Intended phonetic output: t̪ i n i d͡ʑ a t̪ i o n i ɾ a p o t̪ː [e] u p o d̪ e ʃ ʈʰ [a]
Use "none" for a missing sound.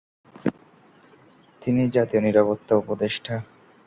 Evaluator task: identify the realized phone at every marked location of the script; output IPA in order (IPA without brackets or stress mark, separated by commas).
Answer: a, a